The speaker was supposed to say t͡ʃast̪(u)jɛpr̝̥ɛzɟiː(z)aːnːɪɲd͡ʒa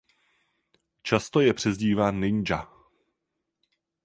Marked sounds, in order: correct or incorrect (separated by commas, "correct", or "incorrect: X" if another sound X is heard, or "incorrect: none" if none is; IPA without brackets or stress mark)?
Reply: incorrect: o, incorrect: v